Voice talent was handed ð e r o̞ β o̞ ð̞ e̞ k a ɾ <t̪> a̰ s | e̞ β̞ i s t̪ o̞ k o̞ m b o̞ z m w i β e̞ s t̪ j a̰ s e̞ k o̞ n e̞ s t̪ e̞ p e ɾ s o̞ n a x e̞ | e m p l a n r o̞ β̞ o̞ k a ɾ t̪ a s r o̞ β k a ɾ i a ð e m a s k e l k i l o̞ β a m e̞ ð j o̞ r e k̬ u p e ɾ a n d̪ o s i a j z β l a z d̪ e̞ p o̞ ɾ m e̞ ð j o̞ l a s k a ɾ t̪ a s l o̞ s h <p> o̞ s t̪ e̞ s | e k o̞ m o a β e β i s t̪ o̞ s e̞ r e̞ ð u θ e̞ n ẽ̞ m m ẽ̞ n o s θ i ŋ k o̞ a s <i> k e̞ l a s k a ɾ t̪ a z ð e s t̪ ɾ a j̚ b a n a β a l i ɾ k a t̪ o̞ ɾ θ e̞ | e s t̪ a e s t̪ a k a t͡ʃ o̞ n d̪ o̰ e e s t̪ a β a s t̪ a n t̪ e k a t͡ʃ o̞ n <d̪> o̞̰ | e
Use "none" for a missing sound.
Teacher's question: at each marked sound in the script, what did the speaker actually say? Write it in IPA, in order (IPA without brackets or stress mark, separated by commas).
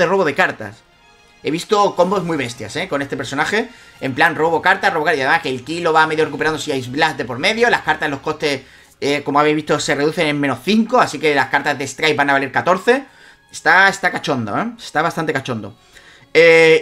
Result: t̪, k, i, d̪